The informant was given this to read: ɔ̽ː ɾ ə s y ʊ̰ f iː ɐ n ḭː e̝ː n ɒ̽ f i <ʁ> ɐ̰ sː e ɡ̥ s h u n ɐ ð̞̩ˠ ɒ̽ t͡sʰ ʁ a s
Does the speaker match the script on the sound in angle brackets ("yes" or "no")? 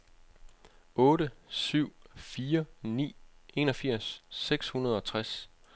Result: no